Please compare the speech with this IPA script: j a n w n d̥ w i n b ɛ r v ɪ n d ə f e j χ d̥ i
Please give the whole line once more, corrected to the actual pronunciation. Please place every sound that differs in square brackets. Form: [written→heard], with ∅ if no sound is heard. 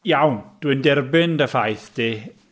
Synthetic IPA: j a [n→∅] w n d̥ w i n [b→d] ɛ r [v→b] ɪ n d ə f [e→a] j [χ→θ] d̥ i